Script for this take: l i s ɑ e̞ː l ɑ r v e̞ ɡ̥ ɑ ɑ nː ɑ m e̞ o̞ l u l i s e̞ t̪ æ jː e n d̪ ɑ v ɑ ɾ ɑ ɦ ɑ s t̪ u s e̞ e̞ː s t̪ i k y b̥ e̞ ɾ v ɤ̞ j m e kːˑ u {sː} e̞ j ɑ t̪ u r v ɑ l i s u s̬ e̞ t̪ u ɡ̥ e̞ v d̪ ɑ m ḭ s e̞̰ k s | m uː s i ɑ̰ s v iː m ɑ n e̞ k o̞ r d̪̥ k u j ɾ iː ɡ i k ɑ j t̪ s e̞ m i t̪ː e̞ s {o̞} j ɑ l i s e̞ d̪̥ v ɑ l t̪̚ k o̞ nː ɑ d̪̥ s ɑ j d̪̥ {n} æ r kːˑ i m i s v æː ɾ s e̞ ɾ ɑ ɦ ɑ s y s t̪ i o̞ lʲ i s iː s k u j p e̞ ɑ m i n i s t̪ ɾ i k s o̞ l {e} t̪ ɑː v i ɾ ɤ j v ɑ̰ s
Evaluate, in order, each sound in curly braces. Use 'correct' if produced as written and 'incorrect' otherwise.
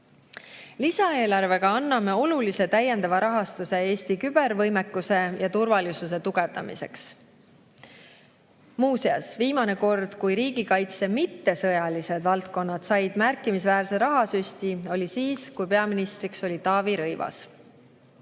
incorrect: s, incorrect: ɤ̞, incorrect: m, incorrect: i

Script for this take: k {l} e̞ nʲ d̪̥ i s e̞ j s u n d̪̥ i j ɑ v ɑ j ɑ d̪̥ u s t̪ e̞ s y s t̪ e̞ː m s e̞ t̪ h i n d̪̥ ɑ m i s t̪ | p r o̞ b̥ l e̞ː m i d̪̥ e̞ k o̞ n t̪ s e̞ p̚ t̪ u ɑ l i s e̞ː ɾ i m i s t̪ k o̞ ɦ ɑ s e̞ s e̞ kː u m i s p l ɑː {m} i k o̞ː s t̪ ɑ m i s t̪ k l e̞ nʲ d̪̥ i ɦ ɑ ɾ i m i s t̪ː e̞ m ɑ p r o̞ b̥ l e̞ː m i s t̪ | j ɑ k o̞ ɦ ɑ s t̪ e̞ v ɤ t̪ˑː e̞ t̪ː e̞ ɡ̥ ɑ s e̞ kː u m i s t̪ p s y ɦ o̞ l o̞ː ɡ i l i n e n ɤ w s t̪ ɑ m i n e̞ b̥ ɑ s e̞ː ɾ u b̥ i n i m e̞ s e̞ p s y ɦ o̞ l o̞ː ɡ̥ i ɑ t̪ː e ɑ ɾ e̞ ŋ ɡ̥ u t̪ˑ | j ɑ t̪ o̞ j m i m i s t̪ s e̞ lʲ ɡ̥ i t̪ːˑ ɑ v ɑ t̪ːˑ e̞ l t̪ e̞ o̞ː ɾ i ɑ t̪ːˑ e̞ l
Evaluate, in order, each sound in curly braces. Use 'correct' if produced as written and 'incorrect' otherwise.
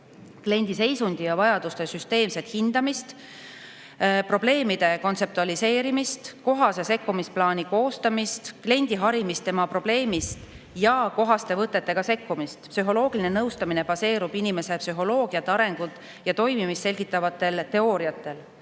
correct, incorrect: n

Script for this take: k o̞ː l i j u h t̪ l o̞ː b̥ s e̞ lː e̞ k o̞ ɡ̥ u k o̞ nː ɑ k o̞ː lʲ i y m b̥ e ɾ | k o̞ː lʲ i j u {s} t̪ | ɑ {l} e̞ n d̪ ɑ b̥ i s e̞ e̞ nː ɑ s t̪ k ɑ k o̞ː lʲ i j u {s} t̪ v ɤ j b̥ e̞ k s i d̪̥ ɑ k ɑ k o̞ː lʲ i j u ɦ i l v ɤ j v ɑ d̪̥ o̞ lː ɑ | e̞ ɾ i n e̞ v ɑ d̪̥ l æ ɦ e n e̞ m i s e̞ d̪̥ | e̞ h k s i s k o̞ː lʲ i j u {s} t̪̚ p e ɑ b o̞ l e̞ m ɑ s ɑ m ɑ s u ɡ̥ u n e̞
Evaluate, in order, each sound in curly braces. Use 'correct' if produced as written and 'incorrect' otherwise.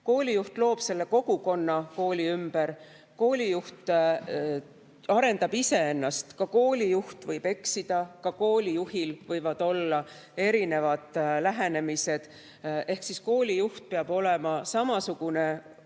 incorrect: h, incorrect: ɾ, incorrect: h, incorrect: h

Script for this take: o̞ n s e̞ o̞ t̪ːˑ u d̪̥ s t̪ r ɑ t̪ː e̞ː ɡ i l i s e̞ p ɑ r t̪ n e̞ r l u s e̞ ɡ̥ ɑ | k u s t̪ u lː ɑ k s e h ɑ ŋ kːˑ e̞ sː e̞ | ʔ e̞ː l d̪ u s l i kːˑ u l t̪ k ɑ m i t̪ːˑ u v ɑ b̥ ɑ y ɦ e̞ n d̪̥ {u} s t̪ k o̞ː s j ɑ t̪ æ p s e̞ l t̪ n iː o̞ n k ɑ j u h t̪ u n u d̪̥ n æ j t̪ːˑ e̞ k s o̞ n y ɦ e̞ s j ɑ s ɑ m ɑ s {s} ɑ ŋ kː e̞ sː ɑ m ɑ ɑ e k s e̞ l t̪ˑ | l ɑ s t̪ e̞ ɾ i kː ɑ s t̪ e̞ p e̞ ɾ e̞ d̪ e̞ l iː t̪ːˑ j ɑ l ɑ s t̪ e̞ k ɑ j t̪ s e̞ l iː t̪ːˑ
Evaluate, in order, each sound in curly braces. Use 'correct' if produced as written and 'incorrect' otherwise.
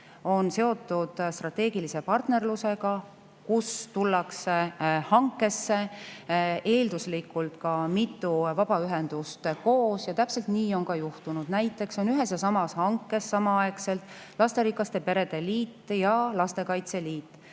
correct, incorrect: h

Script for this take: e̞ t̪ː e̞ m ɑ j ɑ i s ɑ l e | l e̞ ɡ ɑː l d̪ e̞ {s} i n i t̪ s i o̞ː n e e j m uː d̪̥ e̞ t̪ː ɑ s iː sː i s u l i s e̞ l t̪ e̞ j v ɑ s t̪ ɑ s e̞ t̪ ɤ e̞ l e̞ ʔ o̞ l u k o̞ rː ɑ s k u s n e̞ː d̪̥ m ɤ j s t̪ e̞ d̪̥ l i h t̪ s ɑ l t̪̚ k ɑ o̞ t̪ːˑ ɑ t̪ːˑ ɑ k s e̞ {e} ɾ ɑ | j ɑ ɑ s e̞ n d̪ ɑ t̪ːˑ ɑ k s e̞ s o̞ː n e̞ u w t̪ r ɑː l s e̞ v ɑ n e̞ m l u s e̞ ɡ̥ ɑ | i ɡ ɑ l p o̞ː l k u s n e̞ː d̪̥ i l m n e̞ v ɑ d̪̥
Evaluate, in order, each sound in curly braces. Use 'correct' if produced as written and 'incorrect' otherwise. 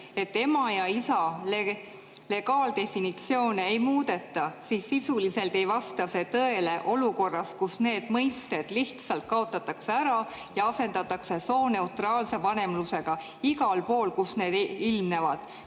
incorrect: f, incorrect: æ

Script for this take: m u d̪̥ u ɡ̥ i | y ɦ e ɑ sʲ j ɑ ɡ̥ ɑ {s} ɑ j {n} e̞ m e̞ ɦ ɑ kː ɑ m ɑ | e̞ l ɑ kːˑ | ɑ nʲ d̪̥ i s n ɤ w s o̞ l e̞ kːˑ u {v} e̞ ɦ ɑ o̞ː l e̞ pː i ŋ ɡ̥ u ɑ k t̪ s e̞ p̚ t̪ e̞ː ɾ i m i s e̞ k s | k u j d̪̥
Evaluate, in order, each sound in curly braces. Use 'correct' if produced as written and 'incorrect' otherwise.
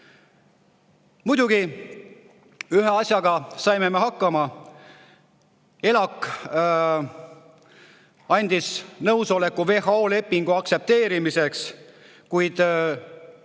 correct, incorrect: m, correct

